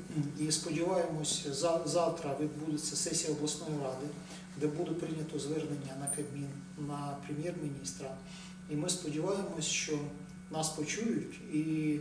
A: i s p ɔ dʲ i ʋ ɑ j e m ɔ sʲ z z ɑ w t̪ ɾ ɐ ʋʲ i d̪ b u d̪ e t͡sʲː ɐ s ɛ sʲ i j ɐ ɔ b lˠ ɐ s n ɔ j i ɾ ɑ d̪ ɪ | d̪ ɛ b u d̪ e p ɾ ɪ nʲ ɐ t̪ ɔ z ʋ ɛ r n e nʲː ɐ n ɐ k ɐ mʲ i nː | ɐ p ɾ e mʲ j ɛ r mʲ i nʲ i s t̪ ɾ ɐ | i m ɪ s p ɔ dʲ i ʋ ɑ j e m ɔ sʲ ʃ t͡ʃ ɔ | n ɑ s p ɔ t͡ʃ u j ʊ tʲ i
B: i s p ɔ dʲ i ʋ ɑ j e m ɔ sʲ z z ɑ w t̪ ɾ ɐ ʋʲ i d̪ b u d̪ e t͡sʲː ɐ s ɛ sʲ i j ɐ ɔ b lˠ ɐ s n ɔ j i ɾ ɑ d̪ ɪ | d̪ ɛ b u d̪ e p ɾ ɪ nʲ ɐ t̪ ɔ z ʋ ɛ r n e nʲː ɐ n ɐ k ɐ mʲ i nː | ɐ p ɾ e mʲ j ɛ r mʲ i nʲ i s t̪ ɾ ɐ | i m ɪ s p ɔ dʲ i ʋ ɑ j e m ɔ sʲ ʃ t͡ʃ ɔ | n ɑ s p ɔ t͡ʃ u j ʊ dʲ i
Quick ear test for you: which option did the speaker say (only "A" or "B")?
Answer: A